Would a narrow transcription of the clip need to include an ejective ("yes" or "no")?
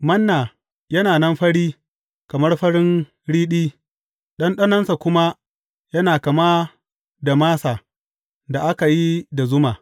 no